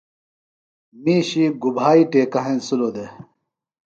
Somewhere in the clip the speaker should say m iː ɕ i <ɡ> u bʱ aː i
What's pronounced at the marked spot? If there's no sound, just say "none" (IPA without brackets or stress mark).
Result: ɡ